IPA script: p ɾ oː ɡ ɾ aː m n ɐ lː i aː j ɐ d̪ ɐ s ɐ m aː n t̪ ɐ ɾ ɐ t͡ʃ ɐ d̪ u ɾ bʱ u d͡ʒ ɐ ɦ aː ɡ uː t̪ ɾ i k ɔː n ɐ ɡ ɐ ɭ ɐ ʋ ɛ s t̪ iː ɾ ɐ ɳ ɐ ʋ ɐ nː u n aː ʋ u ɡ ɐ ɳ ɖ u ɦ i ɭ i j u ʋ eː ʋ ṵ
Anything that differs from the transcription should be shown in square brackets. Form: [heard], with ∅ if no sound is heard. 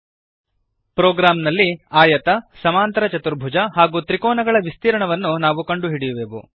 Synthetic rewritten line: p ɾ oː ɡ ɾ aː m n ɐ lː i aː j ɐ [t̪] ɐ s ɐ m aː n t̪ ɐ ɾ ɐ t͡ʃ ɐ [t̪] u ɾ bʱ u d͡ʒ ɐ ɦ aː ɡ uː t̪ ɾ i k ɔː n ɐ ɡ ɐ ɭ ɐ ʋ [i] s t̪ iː ɾ ɐ ɳ ɐ ʋ ɐ nː u n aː ʋ u [k] ɐ ɳ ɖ u ɦ i [ɽ] i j u ʋ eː ʋ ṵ